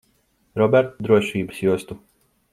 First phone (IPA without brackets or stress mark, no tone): ɾ